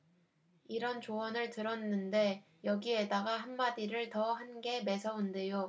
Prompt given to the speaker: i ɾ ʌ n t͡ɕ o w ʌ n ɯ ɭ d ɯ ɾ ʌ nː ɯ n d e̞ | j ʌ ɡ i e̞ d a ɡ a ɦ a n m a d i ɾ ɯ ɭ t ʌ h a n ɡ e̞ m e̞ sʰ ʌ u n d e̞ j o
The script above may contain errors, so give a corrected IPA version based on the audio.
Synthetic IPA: i ɾ ʌ n t͡ɕ o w ʌ n ɯ ɭ t ɯ ɾ ʌ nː ɯ n d e̞ | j ʌ ɡ i e̞ d a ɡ a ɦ a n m a d i ɾ ɯ ɭ t ʌ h a n ɡ e̞ m e̞ sʰ ʌ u n d e̞ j o